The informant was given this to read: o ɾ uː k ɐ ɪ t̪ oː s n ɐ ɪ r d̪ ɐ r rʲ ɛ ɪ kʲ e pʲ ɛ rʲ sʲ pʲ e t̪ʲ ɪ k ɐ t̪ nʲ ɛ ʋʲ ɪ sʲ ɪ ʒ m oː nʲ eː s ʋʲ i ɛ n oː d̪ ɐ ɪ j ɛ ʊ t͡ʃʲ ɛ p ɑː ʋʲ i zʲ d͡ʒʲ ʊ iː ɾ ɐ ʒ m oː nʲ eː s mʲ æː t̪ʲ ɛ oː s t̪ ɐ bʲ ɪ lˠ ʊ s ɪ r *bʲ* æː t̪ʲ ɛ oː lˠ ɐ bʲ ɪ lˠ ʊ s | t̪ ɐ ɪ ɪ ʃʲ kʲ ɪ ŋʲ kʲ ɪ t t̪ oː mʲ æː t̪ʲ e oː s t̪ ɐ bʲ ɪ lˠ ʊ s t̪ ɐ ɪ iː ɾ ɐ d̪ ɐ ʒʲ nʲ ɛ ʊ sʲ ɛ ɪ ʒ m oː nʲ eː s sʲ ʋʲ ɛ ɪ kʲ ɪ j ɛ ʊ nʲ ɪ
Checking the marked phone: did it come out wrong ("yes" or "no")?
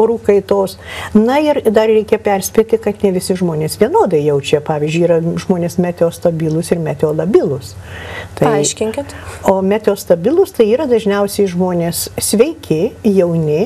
yes